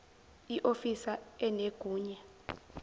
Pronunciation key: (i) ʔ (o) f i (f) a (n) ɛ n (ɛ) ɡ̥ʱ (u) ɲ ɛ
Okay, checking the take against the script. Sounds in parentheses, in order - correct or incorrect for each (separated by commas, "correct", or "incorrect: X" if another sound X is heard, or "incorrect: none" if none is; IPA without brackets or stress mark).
correct, correct, incorrect: s, incorrect: none, incorrect: e, incorrect: uː